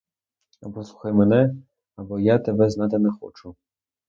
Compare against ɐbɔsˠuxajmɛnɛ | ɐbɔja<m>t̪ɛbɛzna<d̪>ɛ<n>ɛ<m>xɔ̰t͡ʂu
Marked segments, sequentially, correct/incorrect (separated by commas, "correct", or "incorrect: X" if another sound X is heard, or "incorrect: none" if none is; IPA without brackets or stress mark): incorrect: none, incorrect: t̪, correct, incorrect: none